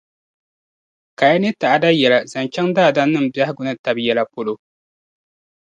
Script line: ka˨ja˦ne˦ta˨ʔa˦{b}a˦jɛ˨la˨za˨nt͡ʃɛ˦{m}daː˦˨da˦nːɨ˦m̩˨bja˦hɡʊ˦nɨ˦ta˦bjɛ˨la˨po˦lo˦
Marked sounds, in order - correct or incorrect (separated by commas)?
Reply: incorrect, incorrect